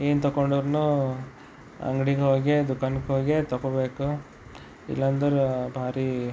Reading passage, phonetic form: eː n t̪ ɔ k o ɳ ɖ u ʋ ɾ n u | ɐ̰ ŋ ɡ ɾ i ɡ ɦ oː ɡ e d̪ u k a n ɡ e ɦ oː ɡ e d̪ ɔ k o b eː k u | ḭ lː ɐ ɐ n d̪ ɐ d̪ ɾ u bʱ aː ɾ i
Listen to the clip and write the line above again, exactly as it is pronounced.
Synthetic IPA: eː n t̪ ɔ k o ɳ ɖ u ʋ ɾ n u | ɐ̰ ŋ ɡ ɽ i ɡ ɦ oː ɡ e d̪ u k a n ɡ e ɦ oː ɡ e t̪ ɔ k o b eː k u | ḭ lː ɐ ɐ n d̪ ɐ ɾ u bʱ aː ɾ i